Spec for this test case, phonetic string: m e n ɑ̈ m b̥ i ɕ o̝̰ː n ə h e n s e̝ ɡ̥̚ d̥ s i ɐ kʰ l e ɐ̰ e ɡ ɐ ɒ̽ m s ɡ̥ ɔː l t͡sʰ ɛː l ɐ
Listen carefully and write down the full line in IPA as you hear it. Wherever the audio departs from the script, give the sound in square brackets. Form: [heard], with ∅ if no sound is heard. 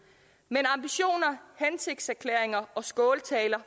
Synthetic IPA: m e n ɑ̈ m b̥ i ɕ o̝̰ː n [ɐ] h e n s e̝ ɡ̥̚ d̥ s [æ] ɐ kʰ l e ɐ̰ e [ŋ] ɐ ɒ̽ [∅] s ɡ̥ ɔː l t͡sʰ ɛː l ɐ